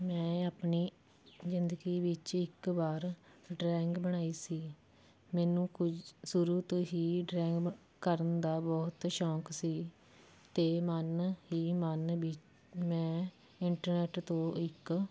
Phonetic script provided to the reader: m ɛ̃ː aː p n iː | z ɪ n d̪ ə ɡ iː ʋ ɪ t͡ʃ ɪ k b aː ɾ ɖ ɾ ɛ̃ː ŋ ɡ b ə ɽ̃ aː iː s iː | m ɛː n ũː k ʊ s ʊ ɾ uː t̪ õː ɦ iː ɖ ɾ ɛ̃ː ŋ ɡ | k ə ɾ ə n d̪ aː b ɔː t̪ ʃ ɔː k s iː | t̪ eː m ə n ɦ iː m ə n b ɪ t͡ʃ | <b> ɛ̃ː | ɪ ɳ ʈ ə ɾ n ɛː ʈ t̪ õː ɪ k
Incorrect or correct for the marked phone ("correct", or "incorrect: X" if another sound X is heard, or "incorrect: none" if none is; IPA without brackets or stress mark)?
incorrect: m